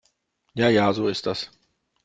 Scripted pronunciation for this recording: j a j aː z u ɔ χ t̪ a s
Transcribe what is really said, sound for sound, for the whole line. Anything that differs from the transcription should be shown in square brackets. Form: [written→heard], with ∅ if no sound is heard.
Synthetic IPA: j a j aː z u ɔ [χ→s] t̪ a s